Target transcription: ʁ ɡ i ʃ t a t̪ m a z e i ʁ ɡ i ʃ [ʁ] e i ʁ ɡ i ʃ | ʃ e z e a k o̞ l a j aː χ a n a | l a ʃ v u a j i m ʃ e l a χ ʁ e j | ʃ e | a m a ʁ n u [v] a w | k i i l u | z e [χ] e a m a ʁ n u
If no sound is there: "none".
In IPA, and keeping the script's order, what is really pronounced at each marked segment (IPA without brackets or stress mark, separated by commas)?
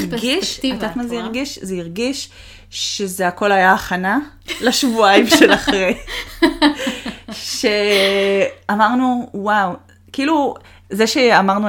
z, w, ʃ